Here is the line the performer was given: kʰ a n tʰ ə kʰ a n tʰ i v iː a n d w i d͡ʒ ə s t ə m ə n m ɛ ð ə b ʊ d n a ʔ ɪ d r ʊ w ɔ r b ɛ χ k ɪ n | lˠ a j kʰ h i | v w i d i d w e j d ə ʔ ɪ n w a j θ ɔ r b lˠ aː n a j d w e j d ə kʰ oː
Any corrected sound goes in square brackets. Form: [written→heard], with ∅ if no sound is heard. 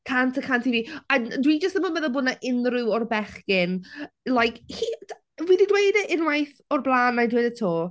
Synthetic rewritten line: kʰ a n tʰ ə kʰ a n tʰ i v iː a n d w i d͡ʒ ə s t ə m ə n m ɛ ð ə b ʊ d n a ʔ ɪ [d→n] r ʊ w ɔ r b ɛ χ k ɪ n | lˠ a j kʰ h i | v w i d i d w e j d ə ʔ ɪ n w a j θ ɔ r b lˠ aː n a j d w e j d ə [kʰ→tʰ] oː